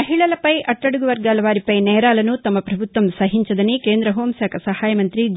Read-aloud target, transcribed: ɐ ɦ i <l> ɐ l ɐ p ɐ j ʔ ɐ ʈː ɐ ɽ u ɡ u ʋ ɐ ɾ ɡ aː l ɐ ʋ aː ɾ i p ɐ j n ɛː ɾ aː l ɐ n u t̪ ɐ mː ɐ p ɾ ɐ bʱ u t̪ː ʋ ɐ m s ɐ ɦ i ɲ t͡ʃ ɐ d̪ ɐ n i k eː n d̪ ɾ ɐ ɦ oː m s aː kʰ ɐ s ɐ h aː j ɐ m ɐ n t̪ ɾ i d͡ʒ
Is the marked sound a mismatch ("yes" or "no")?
yes